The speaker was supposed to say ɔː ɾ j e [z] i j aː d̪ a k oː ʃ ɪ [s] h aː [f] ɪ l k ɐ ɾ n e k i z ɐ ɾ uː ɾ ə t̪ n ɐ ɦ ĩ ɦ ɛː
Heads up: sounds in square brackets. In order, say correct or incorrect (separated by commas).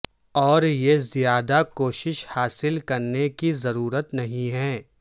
correct, incorrect, incorrect